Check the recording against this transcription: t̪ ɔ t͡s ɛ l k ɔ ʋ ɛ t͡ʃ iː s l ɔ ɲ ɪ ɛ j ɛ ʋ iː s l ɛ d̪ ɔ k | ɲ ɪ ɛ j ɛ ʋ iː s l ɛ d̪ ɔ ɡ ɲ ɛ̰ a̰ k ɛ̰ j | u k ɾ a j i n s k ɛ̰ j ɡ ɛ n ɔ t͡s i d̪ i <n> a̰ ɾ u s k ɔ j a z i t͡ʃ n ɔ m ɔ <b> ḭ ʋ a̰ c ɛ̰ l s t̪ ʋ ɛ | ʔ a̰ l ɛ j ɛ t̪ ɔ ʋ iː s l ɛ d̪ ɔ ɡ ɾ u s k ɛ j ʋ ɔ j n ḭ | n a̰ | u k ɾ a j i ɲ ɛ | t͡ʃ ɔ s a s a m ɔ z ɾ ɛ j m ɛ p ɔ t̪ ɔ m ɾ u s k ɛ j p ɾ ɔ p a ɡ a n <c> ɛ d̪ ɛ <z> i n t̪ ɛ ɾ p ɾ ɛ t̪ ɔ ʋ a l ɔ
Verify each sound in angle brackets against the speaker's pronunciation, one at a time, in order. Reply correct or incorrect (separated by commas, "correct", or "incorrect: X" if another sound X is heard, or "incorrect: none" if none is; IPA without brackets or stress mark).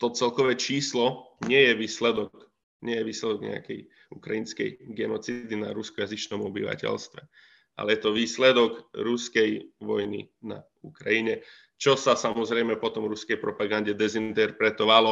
correct, correct, incorrect: ɟ, correct